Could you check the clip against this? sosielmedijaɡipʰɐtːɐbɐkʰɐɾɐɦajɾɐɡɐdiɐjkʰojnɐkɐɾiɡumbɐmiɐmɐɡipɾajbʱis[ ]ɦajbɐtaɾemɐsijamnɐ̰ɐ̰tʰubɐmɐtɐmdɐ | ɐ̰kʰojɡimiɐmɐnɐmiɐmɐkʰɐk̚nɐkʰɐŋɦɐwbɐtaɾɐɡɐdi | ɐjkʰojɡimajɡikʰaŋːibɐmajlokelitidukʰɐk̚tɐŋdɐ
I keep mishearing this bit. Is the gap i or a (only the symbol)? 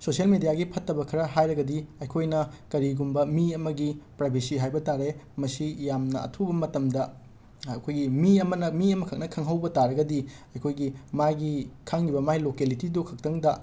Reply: i